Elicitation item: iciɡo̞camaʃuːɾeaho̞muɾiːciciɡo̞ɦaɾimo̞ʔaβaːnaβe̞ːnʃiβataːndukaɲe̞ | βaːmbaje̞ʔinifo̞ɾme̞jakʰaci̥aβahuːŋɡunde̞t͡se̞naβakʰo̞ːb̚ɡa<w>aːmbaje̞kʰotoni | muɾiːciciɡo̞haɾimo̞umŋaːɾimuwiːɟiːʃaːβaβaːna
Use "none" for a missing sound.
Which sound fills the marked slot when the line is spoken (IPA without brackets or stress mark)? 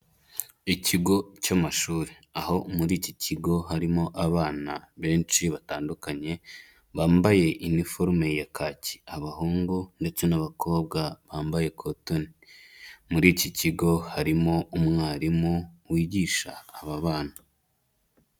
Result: β